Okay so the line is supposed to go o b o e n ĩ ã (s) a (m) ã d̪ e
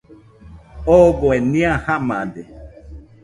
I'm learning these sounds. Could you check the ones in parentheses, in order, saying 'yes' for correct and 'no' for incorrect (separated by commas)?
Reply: no, yes